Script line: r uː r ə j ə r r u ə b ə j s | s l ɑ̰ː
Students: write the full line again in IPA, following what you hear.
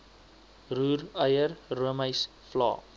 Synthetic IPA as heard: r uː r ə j ə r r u ə m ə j s | f l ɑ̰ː